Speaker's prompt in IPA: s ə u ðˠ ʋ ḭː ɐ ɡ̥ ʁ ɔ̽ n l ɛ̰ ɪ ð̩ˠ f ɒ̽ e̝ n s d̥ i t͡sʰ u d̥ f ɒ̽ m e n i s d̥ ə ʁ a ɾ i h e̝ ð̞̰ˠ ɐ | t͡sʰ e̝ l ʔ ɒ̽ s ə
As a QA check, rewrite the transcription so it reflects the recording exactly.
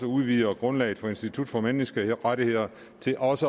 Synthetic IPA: s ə u ðˠ ʋ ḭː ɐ ɡ̥ ʁ ɔ̽ n l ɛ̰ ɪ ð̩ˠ f ɒ̽ e̝ n s d̥ i t͡sʰ u d̥ f ɒ̽ m e n i s ɡ̥ ə ʁ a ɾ i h e̝ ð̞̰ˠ ɐ | t͡sʰ e̝ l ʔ ɒ̽ s ə